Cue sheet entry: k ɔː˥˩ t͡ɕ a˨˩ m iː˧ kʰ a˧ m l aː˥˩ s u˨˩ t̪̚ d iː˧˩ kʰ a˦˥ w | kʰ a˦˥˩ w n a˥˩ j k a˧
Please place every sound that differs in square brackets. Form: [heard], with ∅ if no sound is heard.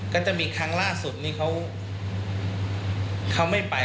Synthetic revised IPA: k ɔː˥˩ t͡ɕ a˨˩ m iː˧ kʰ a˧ [ŋ] l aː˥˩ s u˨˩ t̪̚ [n] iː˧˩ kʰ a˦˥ w | kʰ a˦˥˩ w [m] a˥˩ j [p] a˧